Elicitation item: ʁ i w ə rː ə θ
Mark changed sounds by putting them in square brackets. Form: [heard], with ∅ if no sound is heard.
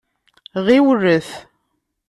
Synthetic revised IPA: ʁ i w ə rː ə θ